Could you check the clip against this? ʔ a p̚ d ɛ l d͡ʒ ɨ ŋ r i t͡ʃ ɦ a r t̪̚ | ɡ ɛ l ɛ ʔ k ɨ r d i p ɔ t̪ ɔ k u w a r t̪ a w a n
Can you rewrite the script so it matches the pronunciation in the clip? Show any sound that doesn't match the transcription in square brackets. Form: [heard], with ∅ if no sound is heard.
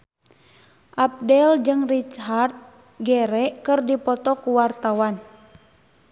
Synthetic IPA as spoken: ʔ a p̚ d ɛ l d͡ʒ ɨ ŋ r i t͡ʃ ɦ a r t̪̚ | ɡ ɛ [ɾ] ɛ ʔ k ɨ r d i p ɔ t̪ ɔ k u w a r t̪ a w a n